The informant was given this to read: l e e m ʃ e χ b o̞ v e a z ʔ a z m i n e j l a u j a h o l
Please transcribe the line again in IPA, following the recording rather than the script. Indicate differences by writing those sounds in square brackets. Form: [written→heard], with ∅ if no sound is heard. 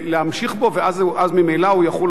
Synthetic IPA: l e [e→a] m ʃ [e→i] χ b o̞ v e a z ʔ a z m i [n→m] e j l a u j a [h→χ] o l

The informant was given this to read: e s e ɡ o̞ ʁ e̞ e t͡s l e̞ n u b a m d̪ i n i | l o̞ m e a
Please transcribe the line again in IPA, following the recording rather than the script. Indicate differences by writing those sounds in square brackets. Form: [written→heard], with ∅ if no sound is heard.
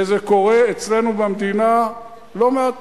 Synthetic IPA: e [s→z] e [ɡ→k] o̞ ʁ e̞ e t͡s l e̞ n u b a m d̪ i n [i→a] | l o̞ m e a

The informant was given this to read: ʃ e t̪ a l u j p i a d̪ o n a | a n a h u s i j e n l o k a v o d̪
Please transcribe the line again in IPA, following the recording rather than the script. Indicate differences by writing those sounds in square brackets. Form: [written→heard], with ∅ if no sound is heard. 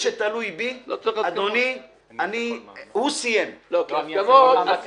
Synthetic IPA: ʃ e t̪ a l u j [p→b] i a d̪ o n [a→i] | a n [a→i] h u s i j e [n→m] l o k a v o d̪

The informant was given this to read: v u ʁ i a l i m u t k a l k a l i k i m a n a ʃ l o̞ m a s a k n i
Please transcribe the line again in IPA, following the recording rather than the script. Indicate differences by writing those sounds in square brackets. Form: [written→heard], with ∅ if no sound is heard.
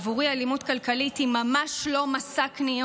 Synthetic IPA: v u ʁ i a l i m u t k a l k a l i [k→t] i m a [n→m] a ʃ l o̞ m a s a k n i

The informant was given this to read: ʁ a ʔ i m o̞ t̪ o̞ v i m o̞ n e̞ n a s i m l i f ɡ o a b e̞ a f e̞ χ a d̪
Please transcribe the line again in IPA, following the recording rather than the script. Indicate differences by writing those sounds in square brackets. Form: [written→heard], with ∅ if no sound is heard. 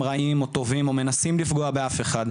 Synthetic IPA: ʁ a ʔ i m o̞ t̪ o̞ v i m o̞ [n→m] e̞ n a s i m l i f ɡ o a b e̞ a f e̞ χ a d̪

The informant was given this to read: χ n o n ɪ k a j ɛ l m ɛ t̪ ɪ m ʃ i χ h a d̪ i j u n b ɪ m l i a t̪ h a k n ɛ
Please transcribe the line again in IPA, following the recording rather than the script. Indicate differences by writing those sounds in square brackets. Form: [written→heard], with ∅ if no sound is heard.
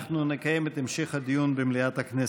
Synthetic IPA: χ n [o→u] n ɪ k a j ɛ [l→∅] m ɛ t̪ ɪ m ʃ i χ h a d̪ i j u n b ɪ m l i a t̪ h a k n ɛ

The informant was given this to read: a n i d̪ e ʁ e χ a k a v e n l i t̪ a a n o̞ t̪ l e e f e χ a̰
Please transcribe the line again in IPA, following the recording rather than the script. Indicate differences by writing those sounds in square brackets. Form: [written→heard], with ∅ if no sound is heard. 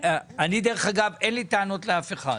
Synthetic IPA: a n i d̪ e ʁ e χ a [k→ɡ] a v e n l i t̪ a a n o̞ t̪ l e [e→a] f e χ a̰

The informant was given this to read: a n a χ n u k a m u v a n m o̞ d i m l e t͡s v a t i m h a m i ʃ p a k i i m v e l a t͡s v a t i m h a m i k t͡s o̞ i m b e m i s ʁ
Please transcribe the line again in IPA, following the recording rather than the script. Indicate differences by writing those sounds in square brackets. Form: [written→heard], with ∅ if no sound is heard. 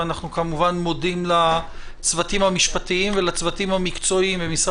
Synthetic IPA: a n a χ n u k a m u v a n m o̞ d i m l [e→a] t͡s v a t i m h a m i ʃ p a [k→t] i i m v e l a t͡s v a t i m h a m i k t͡s o̞ i m b e m i s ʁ

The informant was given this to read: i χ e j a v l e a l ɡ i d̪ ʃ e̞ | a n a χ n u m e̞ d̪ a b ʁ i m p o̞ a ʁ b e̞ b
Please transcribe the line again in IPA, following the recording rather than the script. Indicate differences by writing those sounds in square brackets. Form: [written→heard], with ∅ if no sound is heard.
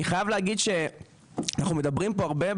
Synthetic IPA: i χ [e→a] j a v l e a [l→∅] ɡ i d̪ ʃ e̞ | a n a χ n u m e̞ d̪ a b ʁ i m p o̞ a ʁ b e̞ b

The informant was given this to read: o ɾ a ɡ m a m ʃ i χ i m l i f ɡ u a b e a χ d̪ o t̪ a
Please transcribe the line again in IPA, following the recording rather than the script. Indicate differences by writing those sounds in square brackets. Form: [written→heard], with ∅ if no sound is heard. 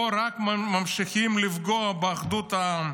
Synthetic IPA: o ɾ a [ɡ→k] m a m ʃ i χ i m l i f ɡ [u→o] a b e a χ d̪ [o→u] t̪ a

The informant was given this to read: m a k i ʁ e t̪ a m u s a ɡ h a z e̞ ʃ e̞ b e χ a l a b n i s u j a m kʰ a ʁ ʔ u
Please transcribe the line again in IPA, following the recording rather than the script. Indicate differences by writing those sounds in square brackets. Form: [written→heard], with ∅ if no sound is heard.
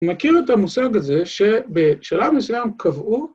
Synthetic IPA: m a k i ʁ e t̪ a m u s a ɡ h a z e̞ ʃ e̞ b e [χ→ʃ] a l a [b→v] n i s u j a m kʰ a [ʁ→v] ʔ u

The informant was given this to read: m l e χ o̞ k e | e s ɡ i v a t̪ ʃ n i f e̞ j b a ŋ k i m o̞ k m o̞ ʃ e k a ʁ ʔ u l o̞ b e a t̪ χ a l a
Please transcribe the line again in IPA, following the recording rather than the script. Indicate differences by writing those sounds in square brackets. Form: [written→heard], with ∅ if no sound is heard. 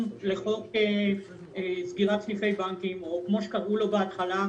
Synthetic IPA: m l e χ o̞ k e | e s ɡ i [v→ʁ] a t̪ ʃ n i f e̞ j b a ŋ k i m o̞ k m o̞ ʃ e k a ʁ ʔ u l o̞ b e a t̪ χ a l a

